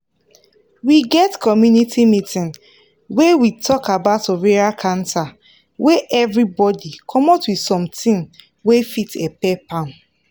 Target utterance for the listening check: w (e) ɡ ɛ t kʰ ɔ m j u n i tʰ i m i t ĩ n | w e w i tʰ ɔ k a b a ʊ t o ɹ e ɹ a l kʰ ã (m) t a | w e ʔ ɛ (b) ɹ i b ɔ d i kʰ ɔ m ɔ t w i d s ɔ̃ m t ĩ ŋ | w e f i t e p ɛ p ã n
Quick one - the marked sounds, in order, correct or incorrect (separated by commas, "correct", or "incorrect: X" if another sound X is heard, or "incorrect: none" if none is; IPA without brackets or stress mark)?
incorrect: i, incorrect: n, incorrect: v